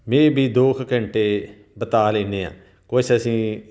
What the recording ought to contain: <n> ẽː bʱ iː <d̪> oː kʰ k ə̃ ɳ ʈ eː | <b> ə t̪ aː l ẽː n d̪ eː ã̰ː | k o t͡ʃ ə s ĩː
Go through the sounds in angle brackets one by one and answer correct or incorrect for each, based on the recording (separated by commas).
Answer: incorrect, correct, correct